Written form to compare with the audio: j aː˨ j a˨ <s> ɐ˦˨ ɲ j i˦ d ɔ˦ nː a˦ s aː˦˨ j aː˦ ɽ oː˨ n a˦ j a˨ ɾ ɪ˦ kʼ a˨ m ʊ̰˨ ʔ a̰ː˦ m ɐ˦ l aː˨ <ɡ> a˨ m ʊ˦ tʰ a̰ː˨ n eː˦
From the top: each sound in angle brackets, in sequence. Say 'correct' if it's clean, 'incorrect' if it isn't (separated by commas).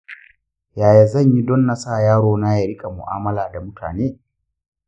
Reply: incorrect, incorrect